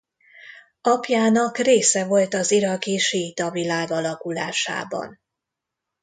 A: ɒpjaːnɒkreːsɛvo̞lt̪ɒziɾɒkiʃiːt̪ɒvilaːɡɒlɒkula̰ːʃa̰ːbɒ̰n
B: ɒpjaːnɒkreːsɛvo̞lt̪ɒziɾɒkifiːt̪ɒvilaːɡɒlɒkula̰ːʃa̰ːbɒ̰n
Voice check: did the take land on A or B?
A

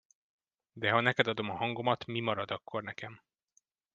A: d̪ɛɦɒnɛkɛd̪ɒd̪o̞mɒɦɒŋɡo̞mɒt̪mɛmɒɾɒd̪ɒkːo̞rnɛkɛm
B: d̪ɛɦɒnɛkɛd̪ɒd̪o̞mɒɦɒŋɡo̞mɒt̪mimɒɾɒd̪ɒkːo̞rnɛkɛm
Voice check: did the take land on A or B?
B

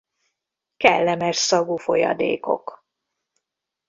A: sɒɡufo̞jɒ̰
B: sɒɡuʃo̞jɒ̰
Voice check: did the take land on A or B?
A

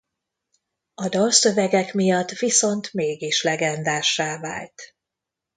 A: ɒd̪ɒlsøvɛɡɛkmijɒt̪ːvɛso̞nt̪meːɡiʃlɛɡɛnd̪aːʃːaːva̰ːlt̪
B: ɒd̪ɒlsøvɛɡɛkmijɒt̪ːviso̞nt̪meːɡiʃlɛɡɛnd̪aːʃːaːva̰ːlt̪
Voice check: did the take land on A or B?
B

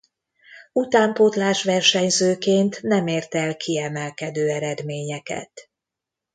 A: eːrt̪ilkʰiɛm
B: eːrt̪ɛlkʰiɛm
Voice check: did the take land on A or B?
B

